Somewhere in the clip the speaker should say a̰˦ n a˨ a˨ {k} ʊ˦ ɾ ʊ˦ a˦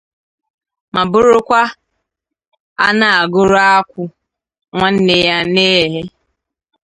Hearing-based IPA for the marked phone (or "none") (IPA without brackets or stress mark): ɡ